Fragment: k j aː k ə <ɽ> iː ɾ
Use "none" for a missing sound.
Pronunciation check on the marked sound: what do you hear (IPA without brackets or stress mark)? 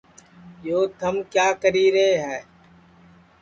ɾ